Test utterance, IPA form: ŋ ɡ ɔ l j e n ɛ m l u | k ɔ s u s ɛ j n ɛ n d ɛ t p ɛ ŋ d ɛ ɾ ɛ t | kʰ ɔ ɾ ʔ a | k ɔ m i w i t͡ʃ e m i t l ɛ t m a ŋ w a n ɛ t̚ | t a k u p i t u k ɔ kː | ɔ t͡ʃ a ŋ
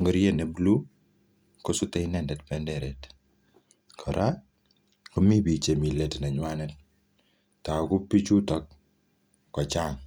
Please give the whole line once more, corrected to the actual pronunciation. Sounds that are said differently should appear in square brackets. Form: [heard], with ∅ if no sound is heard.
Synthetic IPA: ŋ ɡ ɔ [ɾ] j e n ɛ [b] l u | k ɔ s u [t] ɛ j n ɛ n d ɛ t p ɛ [n] d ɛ ɾ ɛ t | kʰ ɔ ɾ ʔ a | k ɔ m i [b] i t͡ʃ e m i [∅] l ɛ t [n] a [ɲ] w a n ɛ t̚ | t a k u p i [t͡ʃ] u [t] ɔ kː | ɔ t͡ʃ a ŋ